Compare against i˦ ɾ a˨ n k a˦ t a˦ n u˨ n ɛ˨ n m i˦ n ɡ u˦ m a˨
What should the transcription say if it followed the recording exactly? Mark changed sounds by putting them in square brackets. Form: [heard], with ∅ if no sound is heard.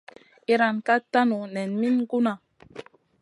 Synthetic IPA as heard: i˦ ɾ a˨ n k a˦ t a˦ n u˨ n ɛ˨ n m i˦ n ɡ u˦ [n] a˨